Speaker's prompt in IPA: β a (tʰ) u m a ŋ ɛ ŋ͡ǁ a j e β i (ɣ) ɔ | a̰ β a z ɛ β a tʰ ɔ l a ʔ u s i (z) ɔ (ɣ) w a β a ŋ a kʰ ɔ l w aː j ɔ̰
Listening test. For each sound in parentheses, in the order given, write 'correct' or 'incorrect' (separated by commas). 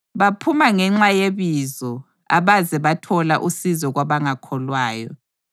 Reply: incorrect, incorrect, correct, correct